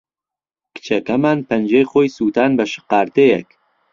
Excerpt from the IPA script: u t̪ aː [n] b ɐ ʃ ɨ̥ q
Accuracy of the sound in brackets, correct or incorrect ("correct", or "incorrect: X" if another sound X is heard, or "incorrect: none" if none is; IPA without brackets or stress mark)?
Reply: correct